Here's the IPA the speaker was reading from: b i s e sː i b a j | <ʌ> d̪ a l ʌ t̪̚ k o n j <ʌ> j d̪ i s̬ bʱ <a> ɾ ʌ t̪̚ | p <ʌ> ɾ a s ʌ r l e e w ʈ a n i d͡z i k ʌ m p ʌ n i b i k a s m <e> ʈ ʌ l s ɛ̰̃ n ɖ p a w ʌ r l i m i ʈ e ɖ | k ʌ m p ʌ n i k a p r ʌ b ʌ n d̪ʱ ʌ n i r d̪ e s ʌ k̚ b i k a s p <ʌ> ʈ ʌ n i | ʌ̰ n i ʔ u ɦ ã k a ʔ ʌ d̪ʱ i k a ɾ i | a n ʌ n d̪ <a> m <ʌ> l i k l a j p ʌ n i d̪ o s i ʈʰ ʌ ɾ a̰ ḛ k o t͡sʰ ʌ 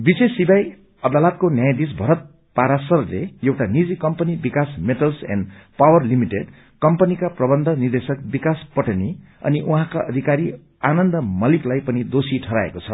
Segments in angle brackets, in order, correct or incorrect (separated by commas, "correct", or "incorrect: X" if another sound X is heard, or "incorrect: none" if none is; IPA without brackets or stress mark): correct, incorrect: a, incorrect: ʌ, incorrect: a, correct, correct, incorrect: ʌ, correct